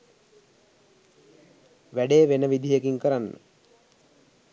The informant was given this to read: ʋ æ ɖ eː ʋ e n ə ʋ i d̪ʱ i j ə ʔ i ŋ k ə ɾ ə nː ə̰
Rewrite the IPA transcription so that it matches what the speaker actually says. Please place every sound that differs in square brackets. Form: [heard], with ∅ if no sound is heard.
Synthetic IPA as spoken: ʋ æ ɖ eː ʋ e n ə ʋ i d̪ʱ i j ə [k] i ŋ k ə ɾ [a] nː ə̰